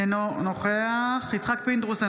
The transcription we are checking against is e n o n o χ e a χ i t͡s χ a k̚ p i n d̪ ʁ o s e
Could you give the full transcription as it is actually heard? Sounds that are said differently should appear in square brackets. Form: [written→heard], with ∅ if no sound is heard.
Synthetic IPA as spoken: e n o n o χ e a χ i t͡s χ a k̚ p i n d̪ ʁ [o→u] s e